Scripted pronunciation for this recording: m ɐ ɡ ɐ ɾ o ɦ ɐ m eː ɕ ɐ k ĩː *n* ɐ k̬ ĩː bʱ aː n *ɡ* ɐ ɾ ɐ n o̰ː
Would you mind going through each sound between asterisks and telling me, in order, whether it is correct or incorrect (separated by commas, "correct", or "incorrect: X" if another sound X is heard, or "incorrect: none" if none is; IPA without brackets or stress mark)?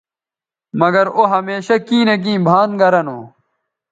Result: correct, correct